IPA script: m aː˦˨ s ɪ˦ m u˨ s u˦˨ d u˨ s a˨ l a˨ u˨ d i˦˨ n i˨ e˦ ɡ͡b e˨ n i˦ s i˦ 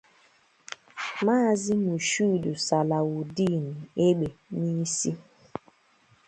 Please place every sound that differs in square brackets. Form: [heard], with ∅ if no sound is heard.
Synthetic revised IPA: m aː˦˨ [z] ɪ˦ m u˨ [ʃ] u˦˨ d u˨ s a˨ l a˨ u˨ d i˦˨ n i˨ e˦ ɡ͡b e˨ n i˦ s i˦